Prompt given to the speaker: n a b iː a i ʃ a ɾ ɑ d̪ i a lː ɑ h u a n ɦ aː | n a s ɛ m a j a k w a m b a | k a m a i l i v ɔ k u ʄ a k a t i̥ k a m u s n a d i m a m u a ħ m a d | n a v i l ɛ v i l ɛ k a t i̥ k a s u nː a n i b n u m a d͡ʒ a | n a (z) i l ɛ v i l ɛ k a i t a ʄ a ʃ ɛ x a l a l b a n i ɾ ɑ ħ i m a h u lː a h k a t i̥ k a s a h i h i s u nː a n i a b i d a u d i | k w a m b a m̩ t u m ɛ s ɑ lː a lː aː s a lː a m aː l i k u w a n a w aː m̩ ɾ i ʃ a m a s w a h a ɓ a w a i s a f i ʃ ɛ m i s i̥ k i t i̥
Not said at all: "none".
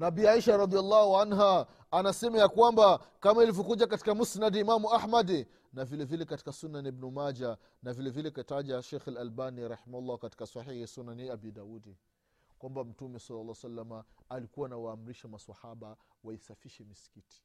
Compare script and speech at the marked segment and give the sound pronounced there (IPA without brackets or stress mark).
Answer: v